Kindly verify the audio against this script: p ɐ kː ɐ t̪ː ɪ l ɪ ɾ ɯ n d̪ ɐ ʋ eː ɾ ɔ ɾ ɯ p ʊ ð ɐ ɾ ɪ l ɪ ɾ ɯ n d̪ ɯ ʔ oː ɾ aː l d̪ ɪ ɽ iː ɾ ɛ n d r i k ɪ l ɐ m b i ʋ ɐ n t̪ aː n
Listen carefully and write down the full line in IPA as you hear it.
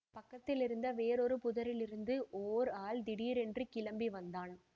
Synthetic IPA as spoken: p ɐ kː ɐ t̪ː ɪ l ɪ ɾ ɯ n d̪ ɐ ʋ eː ɾ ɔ ɾ ɯ p ʊ ð ɐ ɾ ɪ l ɪ ɾ ɯ n d̪ ɯ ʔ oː ɾ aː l d̪ ɪ ɽ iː ɾ ɛ n d r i k ɪ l ɐ m b i ʋ ɐ n d̪ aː n

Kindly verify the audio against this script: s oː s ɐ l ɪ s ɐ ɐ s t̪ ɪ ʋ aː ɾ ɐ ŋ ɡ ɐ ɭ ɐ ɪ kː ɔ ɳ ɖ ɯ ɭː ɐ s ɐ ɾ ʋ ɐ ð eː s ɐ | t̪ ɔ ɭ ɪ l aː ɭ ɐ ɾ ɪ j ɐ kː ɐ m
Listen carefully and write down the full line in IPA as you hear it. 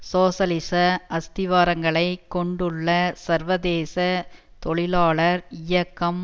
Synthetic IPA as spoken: s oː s ɐ l ɪ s ɐ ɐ s t̪ ɪ ʋ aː ɾ ɐ ŋ ɡ ɐ ɭ ɐ ɪ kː ɔ ɳ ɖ ɯ ɭː ɐ s ɐ ɾ ʋ ɐ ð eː s ɐ | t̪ ɔ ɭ ɪ l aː ɭ ɐ ɾ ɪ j ɐ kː ɐ m

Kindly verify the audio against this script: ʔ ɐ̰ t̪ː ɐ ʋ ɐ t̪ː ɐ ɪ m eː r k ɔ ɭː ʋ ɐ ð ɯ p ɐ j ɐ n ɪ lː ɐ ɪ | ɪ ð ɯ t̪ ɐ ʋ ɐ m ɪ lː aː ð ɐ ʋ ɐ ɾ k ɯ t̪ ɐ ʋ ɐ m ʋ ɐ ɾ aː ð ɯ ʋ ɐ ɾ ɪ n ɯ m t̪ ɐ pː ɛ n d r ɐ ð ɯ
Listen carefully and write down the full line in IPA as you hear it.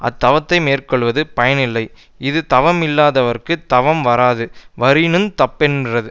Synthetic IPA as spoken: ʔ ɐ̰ t̪ː ɐ ʋ ɐ t̪ː ɐ ɪ m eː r k ɔ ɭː ʋ ɐ ð ɯ p ɐ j ɐ n ɪ lː ɐ ɪ | ɪ ð ɯ t̪ ɐ ʋ ɐ m ɪ lː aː ð ɐ ʋ ɐ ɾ k ɯ t̪ ɐ ʋ ɐ m ʋ ɐ ɾ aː ð ɯ ʋ ɐ ɾ ɪ n ɯ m t̪ ɐ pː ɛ n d r ɐ ð ɯ

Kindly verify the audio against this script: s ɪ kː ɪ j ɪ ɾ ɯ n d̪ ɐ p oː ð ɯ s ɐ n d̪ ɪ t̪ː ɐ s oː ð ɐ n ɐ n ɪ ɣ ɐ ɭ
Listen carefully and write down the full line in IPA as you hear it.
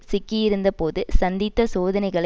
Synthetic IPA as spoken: s ɪ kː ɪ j ɪ ɾ ɯ n d̪ ɐ p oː ð ɯ s ɐ n d̪ ɪ t̪ː ɐ s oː ð ɐ n ɐ ɪ ɣ ɐ ɭ

